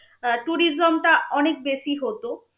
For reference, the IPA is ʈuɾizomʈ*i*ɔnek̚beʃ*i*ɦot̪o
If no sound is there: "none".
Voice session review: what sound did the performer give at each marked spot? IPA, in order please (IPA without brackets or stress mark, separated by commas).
a, i